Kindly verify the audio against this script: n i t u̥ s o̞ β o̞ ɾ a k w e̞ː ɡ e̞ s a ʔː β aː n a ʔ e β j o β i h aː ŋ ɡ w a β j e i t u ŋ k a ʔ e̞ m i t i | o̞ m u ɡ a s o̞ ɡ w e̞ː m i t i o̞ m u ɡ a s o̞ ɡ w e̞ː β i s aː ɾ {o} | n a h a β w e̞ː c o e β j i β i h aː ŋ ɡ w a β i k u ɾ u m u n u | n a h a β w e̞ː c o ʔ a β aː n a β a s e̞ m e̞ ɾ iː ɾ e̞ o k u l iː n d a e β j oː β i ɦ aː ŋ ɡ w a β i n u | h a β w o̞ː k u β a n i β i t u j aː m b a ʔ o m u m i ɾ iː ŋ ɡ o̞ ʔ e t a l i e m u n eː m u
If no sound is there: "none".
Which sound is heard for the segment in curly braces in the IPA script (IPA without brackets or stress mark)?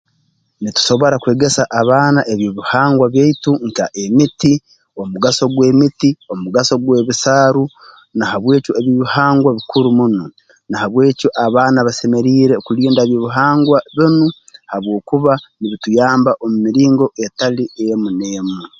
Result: u